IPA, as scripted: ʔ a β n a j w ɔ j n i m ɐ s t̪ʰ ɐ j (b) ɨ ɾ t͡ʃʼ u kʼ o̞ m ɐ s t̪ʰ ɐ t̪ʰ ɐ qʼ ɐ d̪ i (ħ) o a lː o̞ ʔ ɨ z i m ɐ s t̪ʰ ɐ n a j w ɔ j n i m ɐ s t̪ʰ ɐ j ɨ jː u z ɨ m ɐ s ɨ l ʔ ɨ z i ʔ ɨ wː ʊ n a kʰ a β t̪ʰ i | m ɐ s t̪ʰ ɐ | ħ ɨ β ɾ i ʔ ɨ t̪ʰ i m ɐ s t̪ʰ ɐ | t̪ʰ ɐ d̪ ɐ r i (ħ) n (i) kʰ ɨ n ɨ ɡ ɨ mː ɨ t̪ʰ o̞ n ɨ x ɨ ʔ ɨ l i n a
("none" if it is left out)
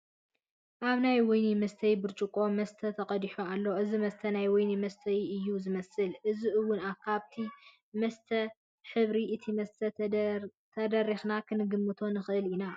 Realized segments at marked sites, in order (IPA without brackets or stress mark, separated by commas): b, ħ, x, a